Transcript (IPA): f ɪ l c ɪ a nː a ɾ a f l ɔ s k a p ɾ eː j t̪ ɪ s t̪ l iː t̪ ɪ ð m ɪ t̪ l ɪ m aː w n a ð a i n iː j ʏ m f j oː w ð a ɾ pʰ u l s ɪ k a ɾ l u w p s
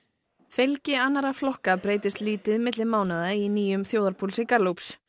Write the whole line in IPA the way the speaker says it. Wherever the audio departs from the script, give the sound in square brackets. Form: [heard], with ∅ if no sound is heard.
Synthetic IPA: f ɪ l c ɪ a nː a ɾ a f l ɔ [h] k a p ɾ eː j t̪ ɪ s t̪ l iː t̪ ɪ ð m ɪ t̪ l ɪ m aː w n a ð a i n iː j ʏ m [θ] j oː w ð a ɾ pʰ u l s ɪ k a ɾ l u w p s

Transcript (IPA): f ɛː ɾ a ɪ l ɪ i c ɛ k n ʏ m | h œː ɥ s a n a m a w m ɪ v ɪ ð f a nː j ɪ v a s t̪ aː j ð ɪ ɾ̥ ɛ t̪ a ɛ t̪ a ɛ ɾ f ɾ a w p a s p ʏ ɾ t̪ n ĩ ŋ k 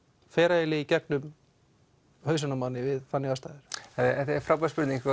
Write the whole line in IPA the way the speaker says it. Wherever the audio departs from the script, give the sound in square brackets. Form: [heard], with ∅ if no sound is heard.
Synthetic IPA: f ɛː ɾ a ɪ l ɪ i c ɛ k n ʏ m | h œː ɥ s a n a m a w [n] ɪ v ɪ ð f a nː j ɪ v a s t̪ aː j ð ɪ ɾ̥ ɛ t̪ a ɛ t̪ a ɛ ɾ f ɾ a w p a s p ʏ ɾ t̪ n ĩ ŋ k

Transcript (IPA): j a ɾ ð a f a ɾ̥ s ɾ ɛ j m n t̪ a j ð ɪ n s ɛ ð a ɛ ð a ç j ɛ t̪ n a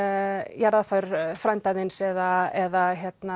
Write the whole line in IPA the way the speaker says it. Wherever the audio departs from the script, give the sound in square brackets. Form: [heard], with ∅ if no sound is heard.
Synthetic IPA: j a ɾ ð a f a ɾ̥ [f] ɾ [a] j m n t̪ a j ð ɪ n s ɛ ð a ɛ ð a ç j ɛ t̪ n a

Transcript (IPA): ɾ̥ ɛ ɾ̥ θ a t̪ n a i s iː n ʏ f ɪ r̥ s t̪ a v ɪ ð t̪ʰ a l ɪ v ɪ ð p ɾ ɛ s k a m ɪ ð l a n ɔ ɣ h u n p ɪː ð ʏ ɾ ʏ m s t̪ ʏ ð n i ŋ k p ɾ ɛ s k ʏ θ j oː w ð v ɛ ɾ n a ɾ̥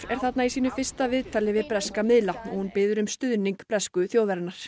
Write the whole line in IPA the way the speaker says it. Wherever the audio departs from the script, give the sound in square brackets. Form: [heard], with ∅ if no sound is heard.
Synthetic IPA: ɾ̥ ɛ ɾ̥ θ a t̪ n a i s iː n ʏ f ɪ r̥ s t̪ a v ɪ ð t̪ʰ a l ɪ v ɪ ð p ɾ ɛ s k a m ɪ ð l a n ɔ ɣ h u n p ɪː ð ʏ ɾ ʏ m s t̪ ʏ ð n i ŋ k p ɾ ɛ s k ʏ θ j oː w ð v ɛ ɾ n a ɾ̥

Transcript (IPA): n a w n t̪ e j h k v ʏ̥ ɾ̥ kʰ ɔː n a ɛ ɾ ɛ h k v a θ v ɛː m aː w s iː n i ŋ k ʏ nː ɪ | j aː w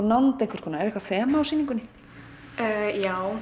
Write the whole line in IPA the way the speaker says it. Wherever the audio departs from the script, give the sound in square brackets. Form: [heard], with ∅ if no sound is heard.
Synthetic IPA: n a w n t̪ e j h k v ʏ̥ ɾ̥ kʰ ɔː n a ɛ ɾ ɛ h k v a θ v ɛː m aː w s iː n i ŋ k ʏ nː ɪ | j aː w

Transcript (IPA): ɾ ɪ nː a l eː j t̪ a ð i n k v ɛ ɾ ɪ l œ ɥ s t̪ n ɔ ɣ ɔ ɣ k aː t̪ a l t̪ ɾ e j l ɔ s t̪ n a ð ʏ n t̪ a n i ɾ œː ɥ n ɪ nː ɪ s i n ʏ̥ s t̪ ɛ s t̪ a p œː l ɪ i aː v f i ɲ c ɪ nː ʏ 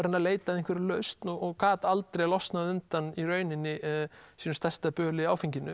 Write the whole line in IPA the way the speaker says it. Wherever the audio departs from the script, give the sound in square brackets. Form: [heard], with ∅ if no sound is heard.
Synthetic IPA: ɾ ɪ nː a l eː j t̪ a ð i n k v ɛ ɾ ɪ l œ ɥ s t̪ n ɔ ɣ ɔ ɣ k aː t̪ a l t̪ ɾ e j l ɔ s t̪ n a ð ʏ n t̪ a n i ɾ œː ɥ n ɪ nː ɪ s i n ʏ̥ s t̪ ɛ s t̪ a p œː l ɪ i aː [w] f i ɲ c ɪ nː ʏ

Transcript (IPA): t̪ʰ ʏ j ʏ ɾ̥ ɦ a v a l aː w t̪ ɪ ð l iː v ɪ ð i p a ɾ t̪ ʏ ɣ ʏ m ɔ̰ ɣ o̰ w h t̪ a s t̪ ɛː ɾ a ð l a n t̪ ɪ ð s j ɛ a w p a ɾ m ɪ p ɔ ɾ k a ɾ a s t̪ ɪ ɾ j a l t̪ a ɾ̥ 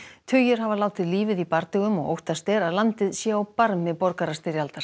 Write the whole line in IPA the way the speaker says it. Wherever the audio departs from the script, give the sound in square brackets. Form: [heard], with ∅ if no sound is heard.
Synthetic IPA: t̪ʰ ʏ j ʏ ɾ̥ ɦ a v a l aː w t̪ ɪ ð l iː v ɪ ð i p a ɾ t̪ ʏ ɣ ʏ m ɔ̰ ɣ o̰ w h t̪ a s t̪ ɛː ɾ a ð l a n t̪ ɪ ð s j ɛ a w p a ɾ m ɪ p ɔ ɾ k a ɾ a s t̪ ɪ ɾ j a l t̪ a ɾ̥

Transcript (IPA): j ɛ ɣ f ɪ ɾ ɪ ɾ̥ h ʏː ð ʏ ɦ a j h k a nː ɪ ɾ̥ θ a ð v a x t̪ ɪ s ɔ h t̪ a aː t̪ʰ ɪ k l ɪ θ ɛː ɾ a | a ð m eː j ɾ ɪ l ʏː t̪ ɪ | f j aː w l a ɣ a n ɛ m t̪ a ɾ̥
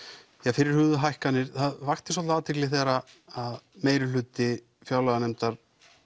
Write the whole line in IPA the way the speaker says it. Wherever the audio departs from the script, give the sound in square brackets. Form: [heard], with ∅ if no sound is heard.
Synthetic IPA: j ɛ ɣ f ɪ ɾ ɪ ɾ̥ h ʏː ð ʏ ɦ a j h k a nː ɪ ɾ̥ θ a ð v a x t̪ ɪ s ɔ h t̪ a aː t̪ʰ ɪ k l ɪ θ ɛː ɾ a | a ð m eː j ɾ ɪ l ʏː t̪ ɪ | f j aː w l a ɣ a n ɛ m t̪ a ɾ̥

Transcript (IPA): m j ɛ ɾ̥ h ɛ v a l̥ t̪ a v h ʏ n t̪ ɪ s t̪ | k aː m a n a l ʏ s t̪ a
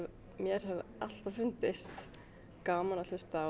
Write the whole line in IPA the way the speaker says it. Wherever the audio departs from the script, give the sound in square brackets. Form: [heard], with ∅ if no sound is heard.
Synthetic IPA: m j ɛ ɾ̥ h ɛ v a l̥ t̪ a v [f] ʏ n t̪ ɪ s t̪ | k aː m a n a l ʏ s t̪ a

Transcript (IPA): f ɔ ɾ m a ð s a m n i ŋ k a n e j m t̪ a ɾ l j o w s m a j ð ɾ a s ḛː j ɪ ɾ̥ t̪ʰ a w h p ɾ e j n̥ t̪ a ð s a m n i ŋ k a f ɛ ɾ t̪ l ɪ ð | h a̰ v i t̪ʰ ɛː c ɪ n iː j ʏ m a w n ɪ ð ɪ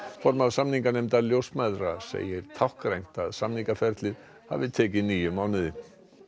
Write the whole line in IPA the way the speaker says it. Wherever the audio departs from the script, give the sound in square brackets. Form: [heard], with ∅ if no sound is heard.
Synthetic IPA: f ɔ ɾ m a ð s a m n i ŋ k a n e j m t̪ a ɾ l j o w s m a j ð ɾ a s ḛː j ɪ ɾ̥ t̪ʰ a w h [k] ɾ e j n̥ t̪ a ð s a m n i ŋ k a f ɛ ɾ t̪ l ɪ ð | h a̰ v [ɪ] t̪ʰ ɛː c ɪ n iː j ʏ m a w n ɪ ð ɪ

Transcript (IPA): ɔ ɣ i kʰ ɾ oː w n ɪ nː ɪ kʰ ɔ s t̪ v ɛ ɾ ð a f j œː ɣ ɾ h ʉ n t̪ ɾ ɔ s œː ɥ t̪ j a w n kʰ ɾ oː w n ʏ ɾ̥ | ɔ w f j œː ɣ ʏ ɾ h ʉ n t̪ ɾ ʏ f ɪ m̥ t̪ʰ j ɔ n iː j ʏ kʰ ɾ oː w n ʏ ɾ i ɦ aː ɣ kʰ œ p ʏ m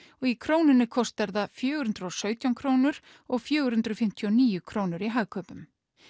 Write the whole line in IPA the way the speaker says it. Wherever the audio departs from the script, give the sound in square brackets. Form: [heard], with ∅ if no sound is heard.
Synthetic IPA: ɔ ɣ i kʰ ɾ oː w n ɪ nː ɪ kʰ ɔ s t̪ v ɛ ɾ ð a f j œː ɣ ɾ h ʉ n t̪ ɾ ɔ s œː ɥ t̪ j a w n kʰ ɾ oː w n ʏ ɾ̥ | ɔ [ɣ] f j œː ɣ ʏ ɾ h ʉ n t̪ ɾ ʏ f ɪ m̥ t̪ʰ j ɔ n iː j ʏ kʰ ɾ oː w n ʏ ɾ i ɦ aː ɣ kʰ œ p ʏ m

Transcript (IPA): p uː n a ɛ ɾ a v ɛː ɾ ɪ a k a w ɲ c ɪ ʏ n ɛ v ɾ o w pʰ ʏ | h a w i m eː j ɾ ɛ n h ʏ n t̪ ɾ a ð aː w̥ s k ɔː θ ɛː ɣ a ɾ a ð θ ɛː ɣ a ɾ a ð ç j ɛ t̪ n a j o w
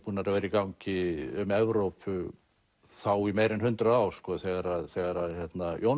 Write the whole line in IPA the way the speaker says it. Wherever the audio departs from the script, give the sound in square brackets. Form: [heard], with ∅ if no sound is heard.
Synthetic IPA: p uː n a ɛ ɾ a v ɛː ɾ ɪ [i] k a w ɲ c ɪ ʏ [m] ɛ v ɾ o w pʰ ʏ | [θ] a w i m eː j ɾ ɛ n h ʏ n t̪ ɾ a ð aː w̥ s k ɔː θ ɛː ɣ a ɾ a ð θ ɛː ɣ a ɾ a ð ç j ɛ t̪ n a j o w

